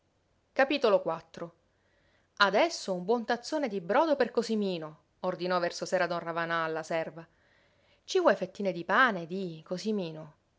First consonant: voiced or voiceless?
voiceless